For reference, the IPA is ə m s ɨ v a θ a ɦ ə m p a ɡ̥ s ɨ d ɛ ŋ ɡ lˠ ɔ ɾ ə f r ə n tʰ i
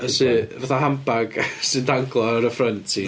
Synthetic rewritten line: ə s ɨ v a θ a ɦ a m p a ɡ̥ s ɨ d a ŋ ɡ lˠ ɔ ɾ ə f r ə n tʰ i